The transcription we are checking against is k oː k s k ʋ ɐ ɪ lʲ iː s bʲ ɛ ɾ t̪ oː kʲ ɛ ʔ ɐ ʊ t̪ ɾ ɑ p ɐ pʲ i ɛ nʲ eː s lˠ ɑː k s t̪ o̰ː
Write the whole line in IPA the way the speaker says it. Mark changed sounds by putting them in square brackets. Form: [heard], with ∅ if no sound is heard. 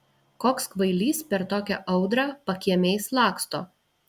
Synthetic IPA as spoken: k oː k s k ʋ ɐ ɪ lʲ iː s [pʲ] ɛ ɾ t̪ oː kʲ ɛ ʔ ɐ ʊ [d̪] ɾ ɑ p ɐ [kʲ] i ɛ [mʲ] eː s lˠ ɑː k s t̪ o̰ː